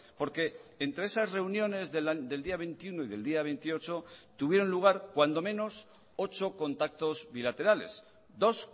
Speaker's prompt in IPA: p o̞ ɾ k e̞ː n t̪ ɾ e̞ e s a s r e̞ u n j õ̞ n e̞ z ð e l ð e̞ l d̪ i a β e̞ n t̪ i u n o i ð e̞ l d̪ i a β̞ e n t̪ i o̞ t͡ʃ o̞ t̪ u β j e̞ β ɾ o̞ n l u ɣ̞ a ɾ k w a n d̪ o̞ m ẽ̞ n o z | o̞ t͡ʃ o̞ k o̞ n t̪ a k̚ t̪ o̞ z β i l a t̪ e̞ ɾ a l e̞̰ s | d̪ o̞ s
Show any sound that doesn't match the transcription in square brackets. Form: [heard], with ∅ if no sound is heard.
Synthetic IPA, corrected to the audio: p o̞ ɾ k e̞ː n t̪ ɾ e̞ e s a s r e̞ u n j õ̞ n e̞ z ð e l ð e̞ l d̪ i a β e̞ n t̪ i u n o i ð e̞ l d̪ i a β̞ e n t̪ i o̞ t͡ʃ o̞ t̪ u β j e̞ [∅] ɾ o̞ n l u ɣ̞ a ɾ k w a n d̪ o̞ m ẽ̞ n o [s] | o̞ t͡ʃ o̞ k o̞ n t̪ a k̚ t̪ o̞ z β i l a t̪ e̞ ɾ a l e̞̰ s | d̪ o̞ s

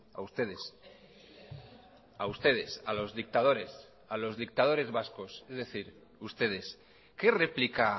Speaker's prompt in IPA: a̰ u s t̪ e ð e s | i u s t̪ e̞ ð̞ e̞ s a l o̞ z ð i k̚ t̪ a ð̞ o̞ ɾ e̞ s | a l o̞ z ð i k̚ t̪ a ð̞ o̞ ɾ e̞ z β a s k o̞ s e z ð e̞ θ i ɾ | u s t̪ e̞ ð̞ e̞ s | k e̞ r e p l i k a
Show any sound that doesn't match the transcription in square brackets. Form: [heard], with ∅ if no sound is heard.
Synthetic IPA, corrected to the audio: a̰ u s t̪ e ð e s | [a] u s t̪ e̞ ð̞ e̞ s a l o̞ z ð i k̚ t̪ a ð̞ o̞ ɾ e̞ s | a l o̞ z ð i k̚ t̪ a ð̞ o̞ ɾ e̞ z β a s k o̞ s e z ð e̞ θ i ɾ | u s t̪ e̞ ð̞ e̞ s | k e̞ r e p l i k a

